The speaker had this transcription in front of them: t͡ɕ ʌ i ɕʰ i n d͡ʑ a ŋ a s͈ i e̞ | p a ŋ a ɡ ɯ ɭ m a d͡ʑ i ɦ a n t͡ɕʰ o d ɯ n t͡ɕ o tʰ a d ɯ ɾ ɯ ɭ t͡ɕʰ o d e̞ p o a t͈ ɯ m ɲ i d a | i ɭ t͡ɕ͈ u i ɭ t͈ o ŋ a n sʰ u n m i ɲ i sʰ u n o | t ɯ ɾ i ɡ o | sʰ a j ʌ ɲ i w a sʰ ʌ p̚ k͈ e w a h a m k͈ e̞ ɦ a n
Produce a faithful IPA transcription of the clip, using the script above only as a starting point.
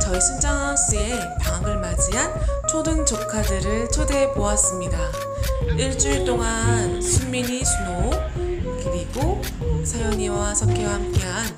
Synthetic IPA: t͡ɕ ʌ i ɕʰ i n d͡ʑ a ŋ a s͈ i e̞ | p a ŋ a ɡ ɯ ɭ m a d͡ʑ i ɦ a n t͡ɕʰ o d ɯ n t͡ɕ o kʰ a d ɯ ɾ ɯ ɭ t͡ɕʰ o d e̞ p o a s͈ ɯ m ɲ i d a | i ɭ t͡ɕ͈ u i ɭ t͈ o ŋ a n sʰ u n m i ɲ i sʰ u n o | k ɯ ɾ i ɡ o | sʰ a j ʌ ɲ i w a sʰ ʌ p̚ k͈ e w a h a m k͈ e̞ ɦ a n

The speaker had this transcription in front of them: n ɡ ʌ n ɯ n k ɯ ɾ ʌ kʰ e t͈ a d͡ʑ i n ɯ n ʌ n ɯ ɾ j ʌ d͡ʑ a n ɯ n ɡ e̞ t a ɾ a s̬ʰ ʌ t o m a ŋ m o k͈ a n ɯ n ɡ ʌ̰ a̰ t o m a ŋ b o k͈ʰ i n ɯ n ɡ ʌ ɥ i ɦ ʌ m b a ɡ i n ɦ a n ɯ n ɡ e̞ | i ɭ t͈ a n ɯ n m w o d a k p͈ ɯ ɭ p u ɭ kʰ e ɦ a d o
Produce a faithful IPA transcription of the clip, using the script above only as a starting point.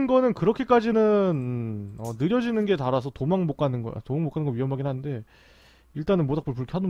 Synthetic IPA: n ɡ ʌ n ɯ n k ɯ ɾ ʌ kʰ e k͈ a d͡ʑ i n ɯ n ʌ n ɯ ɾ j ʌ d͡ʑ i n ɯ n ɡ e̞ t a ɾ a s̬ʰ ʌ t o m a ŋ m o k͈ a n ɯ n ɡ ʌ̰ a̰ t o m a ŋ m o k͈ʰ a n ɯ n ɡ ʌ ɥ i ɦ ʌ m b a ɡ i n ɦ a n ɯ n d e̞ | i ɭ t͈ a n ɯ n m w o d a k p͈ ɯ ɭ p u ɭ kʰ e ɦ a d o

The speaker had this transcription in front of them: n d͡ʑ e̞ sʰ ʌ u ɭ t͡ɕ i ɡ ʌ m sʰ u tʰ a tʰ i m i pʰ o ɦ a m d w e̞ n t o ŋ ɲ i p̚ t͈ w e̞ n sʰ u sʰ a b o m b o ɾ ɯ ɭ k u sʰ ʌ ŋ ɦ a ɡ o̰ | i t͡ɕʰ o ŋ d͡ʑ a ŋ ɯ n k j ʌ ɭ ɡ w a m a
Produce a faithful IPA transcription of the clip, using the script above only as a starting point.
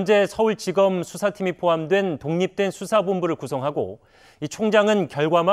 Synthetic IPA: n d͡ʑ e̞ sʰ ʌ u ɭ t͡ɕ i ɡ ʌ m sʰ u sʰ a tʰ i m i pʰ o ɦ a m d w e̞ n t o ŋ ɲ i p̚ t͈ w e̞ n sʰ u sʰ a b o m b u ɾ ɯ ɭ k u sʰ ʌ ŋ ɦ a ɡ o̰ | i t͡ɕʰ o ŋ d͡ʑ a ŋ ɯ n k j ʌ ɭ ɡ w a m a

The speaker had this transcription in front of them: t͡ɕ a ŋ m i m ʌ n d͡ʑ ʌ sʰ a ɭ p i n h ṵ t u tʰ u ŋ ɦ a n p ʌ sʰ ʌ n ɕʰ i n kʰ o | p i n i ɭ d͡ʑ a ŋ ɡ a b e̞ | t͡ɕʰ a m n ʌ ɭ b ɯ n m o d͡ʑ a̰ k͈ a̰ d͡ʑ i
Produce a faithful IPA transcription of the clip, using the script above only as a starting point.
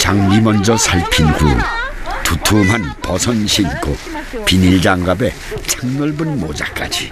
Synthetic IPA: t͡ɕ a ŋ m i m ʌ n d͡ʑ ʌ sʰ a ɭ pʰ i n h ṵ t u tʰ u m ɦ a n p ʌ sʰ ʌ n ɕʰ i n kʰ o | p i n i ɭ d͡ʑ a ŋ ɡ a b e̞ | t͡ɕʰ a ŋ n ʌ ɭ b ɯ n m o d͡ʑ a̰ k͈ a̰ d͡ʑ i

